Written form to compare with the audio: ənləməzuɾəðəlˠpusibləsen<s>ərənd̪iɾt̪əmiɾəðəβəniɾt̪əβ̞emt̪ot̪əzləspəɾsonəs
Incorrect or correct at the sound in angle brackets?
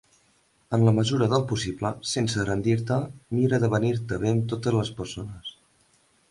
correct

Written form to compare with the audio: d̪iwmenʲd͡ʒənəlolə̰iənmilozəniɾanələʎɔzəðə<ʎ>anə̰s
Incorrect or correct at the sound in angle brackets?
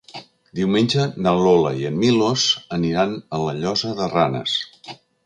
incorrect: r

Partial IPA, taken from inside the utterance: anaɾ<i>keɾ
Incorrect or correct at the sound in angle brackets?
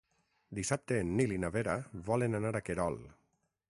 incorrect: a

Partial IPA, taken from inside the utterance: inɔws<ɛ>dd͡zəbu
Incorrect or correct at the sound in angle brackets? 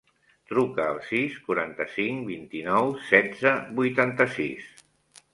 correct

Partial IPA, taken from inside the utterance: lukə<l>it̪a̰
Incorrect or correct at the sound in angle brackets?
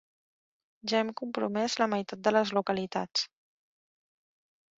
correct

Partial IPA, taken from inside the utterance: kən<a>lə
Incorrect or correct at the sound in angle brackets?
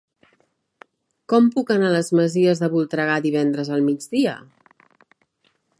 correct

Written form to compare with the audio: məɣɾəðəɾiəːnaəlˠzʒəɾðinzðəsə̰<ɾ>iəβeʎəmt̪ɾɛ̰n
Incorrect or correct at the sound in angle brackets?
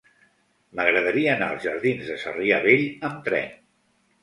incorrect: r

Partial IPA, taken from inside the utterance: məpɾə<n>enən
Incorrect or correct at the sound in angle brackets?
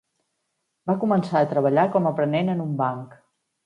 correct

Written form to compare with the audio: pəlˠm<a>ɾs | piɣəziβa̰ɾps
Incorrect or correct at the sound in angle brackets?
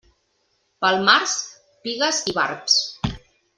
correct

